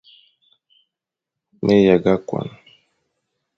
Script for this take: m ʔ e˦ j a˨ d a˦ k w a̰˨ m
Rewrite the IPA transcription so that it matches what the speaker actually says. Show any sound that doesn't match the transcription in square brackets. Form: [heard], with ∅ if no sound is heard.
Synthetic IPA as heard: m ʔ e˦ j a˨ [ɡ] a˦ k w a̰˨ [n]